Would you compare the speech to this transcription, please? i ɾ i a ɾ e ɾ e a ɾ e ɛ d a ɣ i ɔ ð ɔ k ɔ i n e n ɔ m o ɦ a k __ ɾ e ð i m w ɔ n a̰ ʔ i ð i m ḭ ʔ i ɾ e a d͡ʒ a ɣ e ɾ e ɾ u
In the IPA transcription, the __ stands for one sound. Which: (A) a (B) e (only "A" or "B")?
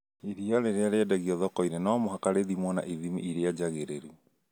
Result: A